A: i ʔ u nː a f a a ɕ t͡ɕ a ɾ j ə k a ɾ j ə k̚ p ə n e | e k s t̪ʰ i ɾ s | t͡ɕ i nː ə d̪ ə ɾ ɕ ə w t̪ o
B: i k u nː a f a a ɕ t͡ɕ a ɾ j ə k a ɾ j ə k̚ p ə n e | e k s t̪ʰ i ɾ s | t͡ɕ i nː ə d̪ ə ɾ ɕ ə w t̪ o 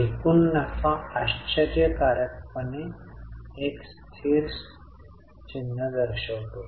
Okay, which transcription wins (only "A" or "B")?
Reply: B